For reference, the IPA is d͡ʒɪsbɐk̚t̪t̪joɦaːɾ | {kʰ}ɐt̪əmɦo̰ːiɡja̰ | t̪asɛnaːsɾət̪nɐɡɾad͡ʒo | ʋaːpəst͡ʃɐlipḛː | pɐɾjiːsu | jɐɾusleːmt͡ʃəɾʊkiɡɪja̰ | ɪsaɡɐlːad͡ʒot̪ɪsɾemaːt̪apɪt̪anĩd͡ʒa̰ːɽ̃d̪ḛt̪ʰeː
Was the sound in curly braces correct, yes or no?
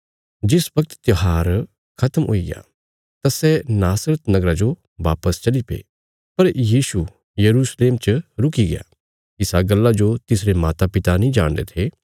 yes